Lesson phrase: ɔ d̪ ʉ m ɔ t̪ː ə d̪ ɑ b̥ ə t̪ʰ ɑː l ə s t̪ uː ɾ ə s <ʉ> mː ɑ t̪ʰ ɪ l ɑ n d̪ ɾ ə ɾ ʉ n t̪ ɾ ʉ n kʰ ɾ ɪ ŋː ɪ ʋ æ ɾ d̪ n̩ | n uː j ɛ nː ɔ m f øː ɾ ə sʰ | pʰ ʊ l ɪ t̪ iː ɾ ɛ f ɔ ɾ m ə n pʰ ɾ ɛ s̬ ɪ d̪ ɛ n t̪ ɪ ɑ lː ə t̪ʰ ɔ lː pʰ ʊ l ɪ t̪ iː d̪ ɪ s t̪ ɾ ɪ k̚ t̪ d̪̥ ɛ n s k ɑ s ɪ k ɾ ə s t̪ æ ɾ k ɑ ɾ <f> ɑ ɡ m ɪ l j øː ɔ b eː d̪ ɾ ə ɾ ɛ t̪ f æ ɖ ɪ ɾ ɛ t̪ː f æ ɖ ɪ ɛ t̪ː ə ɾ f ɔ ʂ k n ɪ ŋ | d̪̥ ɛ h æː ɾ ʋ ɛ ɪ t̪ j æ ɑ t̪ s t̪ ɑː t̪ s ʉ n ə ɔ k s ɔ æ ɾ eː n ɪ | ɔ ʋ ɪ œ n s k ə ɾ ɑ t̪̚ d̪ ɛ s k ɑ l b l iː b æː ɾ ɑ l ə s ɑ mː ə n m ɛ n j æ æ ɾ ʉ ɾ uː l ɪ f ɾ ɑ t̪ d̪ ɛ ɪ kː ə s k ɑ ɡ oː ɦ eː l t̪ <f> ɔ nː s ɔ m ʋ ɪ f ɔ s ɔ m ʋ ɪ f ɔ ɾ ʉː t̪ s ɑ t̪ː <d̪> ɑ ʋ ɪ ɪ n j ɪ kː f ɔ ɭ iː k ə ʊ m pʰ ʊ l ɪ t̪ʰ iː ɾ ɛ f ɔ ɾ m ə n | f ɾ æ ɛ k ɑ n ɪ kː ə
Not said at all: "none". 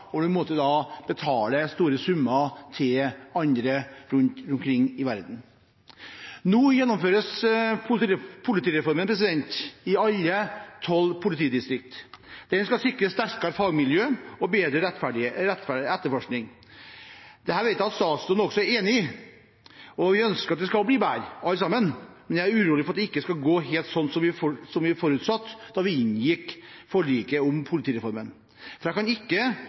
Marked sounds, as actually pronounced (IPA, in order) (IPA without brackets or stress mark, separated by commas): ʉ, f, s, d̪